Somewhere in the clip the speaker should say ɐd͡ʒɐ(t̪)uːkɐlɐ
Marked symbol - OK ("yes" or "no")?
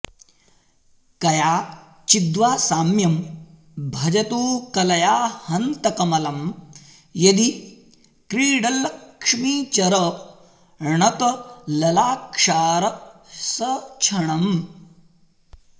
yes